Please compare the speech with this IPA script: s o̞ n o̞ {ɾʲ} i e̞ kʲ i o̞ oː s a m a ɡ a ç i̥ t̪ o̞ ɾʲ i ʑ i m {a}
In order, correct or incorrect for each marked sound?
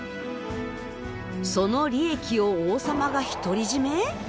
correct, incorrect: e

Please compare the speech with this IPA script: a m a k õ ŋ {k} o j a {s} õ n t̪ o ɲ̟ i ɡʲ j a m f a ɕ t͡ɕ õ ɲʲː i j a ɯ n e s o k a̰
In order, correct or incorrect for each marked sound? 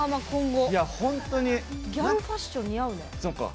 incorrect: ɡ, incorrect: h

